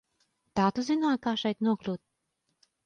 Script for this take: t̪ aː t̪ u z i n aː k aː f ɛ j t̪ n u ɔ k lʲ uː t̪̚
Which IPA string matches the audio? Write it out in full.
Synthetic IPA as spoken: t̪ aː t̪ u z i n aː k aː ʃ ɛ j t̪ n u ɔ k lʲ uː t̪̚

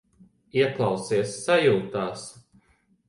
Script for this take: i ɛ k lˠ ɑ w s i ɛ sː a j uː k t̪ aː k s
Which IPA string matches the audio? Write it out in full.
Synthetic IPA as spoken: i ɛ k lˠ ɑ w s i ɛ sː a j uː t̪ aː s

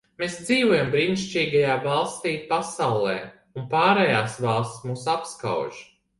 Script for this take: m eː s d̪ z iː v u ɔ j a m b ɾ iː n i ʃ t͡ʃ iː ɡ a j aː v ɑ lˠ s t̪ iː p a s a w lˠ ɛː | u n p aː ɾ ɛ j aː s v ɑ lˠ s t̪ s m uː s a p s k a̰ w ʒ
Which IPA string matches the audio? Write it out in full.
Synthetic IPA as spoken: m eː s d̪ z iː v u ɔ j a m b ɾ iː n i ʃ t͡ʃ iː ɡ a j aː v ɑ lˠ s t̪ iː p a s a w lˠ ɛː | u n p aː ɾ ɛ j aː s v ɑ lˠ s t̪ s m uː s a p s k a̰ w ʒ

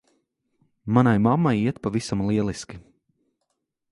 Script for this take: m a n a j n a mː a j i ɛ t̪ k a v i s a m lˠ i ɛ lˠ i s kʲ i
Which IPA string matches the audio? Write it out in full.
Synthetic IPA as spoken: m a n a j m a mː a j i ɛ t̪ p a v i s a m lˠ i ɛ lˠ i s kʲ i

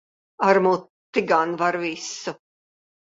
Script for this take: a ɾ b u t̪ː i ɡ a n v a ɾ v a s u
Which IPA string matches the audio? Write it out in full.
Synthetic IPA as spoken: a ɾ m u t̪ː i ɡ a n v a ɾ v i s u

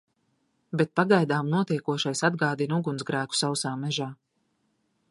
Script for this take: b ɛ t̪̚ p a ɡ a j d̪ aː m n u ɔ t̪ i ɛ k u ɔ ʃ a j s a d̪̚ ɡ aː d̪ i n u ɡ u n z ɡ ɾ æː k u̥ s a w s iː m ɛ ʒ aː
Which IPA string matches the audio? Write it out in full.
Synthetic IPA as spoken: b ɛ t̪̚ p a ɡ a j d̪ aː m n u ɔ t̪ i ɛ k u ɔ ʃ a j s a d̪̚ ɡ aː d̪ i n u ɡ u n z ɡ ɾ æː k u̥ s a w s aː m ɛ ʒ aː

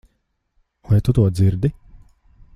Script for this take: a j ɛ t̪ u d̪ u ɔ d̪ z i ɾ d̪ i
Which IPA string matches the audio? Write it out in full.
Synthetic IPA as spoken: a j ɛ t̪ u t̪ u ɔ d̪ z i ɾ d̪ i

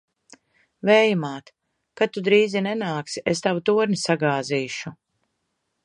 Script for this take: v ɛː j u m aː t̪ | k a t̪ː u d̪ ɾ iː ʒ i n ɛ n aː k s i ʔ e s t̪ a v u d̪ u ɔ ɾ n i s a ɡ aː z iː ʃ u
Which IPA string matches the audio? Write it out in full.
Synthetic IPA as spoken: v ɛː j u m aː t̪ | k a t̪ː u d̪ ɾ iː z i n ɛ n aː k s i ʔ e s t̪ a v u t̪ u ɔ ɾ n i s a ɡ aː z iː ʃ u

